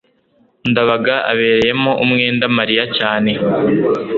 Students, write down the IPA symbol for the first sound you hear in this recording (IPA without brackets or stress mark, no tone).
n